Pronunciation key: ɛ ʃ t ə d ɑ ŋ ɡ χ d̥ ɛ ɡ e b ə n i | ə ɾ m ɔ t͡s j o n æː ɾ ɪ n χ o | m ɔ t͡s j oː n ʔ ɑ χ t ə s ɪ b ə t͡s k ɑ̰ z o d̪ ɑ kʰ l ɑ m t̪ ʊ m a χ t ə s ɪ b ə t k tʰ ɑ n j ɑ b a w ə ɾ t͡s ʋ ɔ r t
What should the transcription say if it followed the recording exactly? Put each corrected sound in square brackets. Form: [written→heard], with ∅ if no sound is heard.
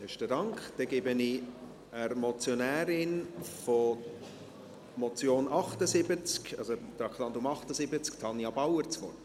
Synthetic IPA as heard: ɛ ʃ t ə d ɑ ŋ [ɡ→k] χ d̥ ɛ ɡ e b ə n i | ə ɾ m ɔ t͡s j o n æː ɾ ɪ n [χ→f] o | m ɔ t͡s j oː n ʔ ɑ χ t ə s ɪ b ə t͡s k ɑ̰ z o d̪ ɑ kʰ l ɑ [m→n] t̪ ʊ m [a→ɑ] χ t ə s ɪ b ə [t→t͡s] k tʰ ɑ n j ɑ b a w ə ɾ t͡s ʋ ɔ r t